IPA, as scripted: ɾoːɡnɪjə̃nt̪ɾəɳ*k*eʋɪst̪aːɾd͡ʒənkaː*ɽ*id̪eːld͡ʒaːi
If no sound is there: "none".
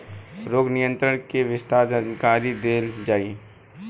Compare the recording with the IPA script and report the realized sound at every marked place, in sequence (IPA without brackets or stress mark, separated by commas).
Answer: k, ɾ